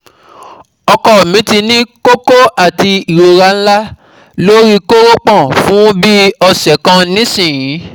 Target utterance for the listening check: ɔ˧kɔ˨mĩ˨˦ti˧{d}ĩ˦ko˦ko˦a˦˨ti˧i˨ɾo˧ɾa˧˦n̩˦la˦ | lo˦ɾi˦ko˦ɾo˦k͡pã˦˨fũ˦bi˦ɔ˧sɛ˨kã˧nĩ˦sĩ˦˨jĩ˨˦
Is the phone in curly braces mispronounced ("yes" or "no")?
yes